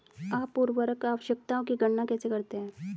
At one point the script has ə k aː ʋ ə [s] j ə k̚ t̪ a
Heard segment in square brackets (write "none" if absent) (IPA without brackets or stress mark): ʃ